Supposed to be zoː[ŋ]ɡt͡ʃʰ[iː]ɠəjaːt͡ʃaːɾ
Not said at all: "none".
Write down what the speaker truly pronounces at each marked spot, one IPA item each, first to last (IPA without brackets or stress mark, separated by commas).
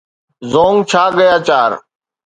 ŋ, aː